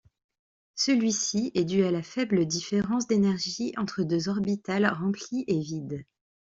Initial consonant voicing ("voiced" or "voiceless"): voiceless